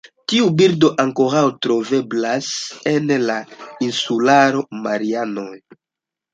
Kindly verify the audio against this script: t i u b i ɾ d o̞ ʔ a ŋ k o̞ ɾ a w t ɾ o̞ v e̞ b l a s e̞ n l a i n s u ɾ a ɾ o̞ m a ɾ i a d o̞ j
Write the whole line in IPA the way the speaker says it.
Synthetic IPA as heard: t i u b i ɾ d o̞ ʔ a ŋ k o̞ ɾ a w t ɾ o̞ v e̞ b l a s e̞ n l a i n s u l a ɾ o̞ m a ɾ i a n o̞ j

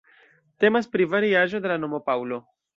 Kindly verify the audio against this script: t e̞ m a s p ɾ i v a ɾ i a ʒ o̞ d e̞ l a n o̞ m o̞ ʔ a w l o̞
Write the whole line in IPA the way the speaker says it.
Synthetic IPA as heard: t e̞ m a s p ɾ i v a ɾ i a ʒ o̞ d e̞ l a n o̞ m o̞ p a w l o̞

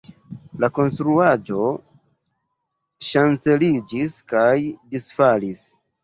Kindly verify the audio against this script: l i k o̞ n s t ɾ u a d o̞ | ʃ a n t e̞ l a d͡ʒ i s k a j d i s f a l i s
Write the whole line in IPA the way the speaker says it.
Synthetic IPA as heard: l a k o̞ n s t ɾ u a d͡ʒ o̞ | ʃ a n t͡s e̞ l i d͡ʒ i s k a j d i s f a l i s

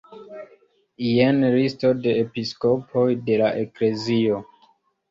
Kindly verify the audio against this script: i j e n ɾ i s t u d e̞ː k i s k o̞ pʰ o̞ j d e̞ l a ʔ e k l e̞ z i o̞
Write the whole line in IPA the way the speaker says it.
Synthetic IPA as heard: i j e n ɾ i s t o d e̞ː p i s k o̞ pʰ o̞ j d e̞ l a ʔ e k l e̞ z i o̞

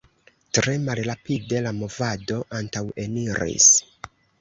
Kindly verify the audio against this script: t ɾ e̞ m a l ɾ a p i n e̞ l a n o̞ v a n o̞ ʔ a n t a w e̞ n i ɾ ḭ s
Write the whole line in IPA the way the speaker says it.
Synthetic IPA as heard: t ɾ e̞ m a l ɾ a p i d e̞ l a m o̞ v a d o̞ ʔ a n t a w e̞ n i ɾ ḭ s

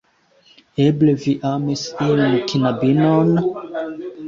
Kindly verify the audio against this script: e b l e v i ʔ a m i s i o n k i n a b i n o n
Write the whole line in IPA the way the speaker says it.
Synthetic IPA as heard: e b l e v i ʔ a m i s i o n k i n a b i n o n

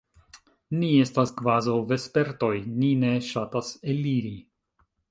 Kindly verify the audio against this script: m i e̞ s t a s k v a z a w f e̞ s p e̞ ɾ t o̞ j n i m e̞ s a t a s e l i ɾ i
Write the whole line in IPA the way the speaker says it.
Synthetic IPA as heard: n i e̞ s t a s k v a z a w v e̞ s p e̞ ɾ t o̞ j n i n e̞ ʃ a t a s e l i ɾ i

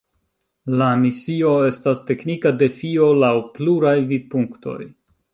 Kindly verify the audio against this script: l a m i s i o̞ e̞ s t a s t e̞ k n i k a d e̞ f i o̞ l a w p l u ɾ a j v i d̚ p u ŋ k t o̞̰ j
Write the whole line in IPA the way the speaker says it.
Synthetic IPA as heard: l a m i s i o̞ e̞ s t a s t e̞ k n i k a d e̞ f i o̞ l a w p l u ɾ a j v i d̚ p u ŋ k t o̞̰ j

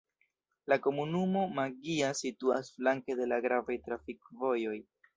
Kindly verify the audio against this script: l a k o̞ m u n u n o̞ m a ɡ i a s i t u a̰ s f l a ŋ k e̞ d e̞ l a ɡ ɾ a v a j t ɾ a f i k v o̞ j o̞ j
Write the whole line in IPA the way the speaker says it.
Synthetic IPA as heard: l a k o̞ m u n u m o̞ m a ɡ i a s i t u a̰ s f l a ŋ k e̞ d e̞ l a ɡ ɾ a v a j t ɾ a f i k v o̞ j o̞ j

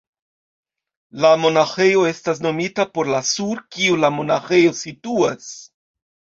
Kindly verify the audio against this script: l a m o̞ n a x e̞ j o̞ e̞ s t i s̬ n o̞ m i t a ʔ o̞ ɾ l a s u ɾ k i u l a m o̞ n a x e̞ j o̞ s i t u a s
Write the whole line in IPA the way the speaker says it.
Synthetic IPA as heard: l a m o̞ n a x e̞ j o̞ e̞ s t a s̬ n o̞ m i t a p o̞ ɾ l a s u ɾ k i u l a m o̞ n a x e̞ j o̞ s i t u a s

